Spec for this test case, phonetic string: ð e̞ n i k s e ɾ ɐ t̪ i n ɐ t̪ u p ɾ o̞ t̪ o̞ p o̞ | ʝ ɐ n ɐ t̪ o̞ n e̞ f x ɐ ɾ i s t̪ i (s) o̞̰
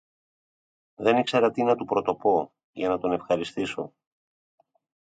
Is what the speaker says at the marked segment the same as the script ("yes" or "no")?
yes